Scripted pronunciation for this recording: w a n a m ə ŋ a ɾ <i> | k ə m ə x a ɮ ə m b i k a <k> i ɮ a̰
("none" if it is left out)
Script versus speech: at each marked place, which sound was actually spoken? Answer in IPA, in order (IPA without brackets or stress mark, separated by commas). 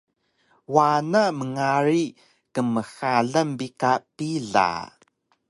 i, p